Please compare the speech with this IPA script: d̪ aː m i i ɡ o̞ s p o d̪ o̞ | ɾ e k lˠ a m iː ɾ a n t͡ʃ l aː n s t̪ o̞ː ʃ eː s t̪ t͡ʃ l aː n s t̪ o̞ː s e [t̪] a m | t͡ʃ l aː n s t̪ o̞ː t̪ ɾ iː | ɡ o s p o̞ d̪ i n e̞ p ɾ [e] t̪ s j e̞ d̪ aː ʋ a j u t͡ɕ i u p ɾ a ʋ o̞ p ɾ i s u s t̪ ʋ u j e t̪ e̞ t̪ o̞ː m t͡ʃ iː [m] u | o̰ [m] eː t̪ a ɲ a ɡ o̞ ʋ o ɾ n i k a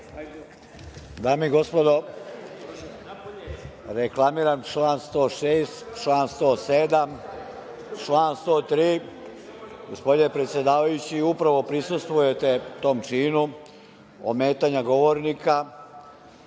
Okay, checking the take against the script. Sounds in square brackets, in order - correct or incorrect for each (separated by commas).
incorrect, correct, incorrect, correct